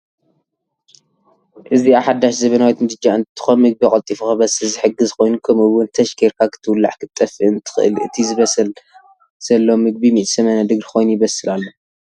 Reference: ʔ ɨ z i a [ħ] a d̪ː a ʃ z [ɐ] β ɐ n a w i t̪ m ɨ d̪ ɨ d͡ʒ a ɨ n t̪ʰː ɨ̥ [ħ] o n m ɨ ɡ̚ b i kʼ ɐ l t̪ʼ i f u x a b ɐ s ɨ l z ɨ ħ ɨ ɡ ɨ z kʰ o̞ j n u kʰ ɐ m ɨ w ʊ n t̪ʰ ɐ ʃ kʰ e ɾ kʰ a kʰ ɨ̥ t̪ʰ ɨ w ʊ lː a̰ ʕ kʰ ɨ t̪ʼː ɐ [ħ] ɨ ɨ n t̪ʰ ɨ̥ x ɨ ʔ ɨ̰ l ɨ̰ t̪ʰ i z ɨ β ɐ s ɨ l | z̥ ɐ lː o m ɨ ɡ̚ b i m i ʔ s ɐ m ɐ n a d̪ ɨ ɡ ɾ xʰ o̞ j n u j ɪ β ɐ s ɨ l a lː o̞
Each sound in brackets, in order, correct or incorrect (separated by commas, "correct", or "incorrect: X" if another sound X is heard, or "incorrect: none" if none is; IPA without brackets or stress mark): correct, correct, incorrect: x, incorrect: f